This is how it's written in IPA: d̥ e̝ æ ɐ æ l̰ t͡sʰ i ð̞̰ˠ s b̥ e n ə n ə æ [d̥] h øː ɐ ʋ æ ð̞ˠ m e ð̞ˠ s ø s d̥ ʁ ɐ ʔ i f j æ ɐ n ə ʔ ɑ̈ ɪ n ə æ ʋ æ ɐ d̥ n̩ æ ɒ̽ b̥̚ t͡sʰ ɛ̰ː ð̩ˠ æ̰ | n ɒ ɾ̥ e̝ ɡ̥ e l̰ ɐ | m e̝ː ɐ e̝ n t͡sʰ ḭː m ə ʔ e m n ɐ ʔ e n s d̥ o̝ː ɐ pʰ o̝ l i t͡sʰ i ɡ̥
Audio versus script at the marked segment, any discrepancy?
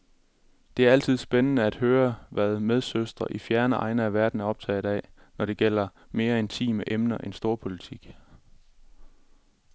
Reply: no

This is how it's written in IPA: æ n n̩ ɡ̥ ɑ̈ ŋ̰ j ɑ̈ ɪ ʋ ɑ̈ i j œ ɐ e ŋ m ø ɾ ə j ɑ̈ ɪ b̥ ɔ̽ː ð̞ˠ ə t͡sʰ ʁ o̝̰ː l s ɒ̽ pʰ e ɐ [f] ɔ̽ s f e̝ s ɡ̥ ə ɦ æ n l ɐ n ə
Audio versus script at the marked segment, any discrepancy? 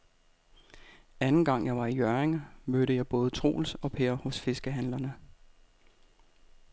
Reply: yes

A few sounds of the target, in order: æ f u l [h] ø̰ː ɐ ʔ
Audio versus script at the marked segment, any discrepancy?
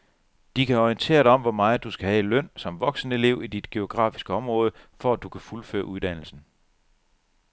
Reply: yes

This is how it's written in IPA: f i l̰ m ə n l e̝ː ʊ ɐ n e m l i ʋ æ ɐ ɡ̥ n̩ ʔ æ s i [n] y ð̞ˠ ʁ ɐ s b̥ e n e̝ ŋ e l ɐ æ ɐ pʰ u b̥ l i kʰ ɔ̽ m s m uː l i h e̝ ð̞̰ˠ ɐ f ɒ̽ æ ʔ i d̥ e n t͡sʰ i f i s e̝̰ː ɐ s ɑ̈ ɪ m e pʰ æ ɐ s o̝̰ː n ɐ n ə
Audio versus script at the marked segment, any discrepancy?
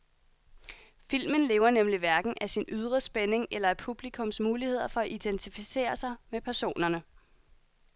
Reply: no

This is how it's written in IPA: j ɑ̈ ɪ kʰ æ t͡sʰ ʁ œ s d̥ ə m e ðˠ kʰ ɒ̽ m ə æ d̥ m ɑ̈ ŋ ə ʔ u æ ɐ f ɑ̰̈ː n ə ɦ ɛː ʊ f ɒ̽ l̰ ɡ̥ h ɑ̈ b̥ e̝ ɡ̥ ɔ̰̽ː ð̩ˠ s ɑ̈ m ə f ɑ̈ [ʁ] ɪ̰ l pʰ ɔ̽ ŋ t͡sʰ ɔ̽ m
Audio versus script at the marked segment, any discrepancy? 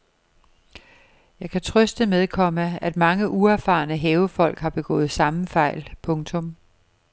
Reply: yes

